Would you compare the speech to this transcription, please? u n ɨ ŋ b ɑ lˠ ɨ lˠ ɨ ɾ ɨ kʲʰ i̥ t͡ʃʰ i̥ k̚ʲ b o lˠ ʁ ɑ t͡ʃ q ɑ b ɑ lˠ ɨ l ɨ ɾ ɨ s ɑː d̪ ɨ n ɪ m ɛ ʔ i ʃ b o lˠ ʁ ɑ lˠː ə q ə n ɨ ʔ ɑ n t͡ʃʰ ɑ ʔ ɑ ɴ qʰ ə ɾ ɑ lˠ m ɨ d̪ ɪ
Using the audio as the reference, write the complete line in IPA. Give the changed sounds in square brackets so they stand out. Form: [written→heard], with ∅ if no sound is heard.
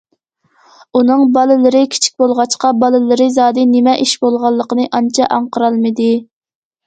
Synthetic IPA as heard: u n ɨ ŋ b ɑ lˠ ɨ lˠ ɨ ɾ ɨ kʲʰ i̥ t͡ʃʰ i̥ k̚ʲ b o lˠ ʁ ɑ t͡ʃ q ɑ b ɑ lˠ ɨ l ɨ ɾ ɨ [s→z] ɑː d̪ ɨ n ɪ m ɛ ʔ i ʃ b o lˠ ʁ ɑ lˠː ə q ə n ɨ ʔ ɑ n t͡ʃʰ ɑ ʔ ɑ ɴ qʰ ə ɾ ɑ lˠ m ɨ d̪ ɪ